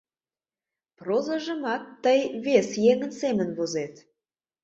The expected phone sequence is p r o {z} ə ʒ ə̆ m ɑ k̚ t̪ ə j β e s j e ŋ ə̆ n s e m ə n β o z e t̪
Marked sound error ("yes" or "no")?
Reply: no